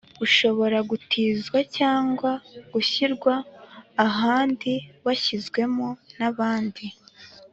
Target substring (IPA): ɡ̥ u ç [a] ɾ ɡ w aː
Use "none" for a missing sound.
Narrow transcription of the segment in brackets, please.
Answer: i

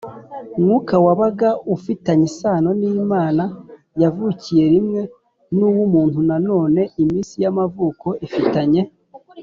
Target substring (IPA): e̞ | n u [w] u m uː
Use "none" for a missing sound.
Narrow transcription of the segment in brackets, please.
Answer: w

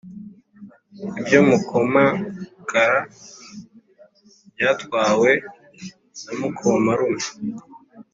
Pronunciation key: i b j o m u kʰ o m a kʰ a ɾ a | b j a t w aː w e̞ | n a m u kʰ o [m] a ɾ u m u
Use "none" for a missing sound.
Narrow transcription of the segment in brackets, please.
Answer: m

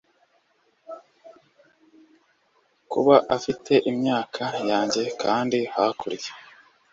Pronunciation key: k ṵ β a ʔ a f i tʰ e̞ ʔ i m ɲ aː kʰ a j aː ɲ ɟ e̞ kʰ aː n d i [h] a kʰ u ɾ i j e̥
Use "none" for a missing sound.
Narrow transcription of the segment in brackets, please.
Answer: h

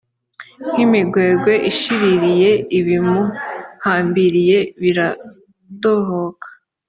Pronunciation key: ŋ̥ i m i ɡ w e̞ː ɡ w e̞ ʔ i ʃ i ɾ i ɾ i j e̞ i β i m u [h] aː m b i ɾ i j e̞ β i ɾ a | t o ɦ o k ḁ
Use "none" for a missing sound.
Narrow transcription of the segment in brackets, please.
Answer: h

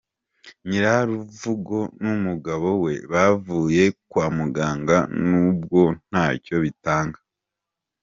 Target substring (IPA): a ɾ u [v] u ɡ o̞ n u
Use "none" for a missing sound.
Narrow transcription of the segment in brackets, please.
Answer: v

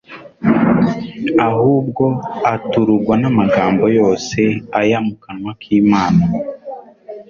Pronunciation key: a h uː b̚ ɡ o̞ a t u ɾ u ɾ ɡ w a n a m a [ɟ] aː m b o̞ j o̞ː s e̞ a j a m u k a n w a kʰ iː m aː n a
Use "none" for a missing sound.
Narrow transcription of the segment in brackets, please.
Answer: ɡ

